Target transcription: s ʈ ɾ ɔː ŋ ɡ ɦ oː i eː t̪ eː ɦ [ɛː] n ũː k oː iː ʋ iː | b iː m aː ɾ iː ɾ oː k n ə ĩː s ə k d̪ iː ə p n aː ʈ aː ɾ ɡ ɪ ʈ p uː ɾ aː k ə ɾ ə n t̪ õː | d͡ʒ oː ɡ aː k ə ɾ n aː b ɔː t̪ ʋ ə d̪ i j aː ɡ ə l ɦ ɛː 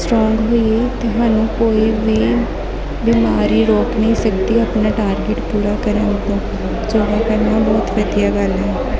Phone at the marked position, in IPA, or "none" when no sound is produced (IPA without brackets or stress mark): aː